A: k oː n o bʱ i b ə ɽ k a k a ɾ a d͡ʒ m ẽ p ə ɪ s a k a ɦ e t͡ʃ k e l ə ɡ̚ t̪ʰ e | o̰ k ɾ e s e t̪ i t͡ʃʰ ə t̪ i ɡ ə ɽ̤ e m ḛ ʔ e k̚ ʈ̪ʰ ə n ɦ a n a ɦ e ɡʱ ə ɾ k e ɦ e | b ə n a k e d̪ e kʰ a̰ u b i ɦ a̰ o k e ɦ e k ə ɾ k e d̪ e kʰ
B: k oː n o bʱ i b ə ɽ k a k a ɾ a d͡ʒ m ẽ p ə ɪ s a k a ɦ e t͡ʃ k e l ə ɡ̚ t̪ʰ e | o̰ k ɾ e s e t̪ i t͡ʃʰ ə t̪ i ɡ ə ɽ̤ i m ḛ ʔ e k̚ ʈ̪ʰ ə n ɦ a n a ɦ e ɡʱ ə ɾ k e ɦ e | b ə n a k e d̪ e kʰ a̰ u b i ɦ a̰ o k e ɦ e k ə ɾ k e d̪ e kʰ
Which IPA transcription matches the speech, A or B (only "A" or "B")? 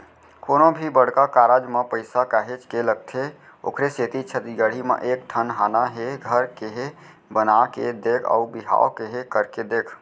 B